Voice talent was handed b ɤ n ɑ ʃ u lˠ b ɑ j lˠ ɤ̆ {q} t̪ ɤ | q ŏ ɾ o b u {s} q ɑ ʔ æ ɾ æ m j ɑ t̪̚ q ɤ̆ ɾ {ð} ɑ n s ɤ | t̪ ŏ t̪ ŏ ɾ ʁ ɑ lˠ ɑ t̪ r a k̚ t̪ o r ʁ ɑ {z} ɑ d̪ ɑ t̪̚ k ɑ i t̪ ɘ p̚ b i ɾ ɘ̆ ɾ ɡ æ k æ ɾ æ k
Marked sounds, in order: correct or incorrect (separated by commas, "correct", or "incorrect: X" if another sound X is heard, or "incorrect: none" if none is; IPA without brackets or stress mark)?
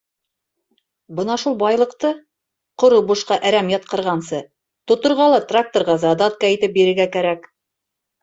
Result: correct, incorrect: ʃ, incorrect: ʁ, correct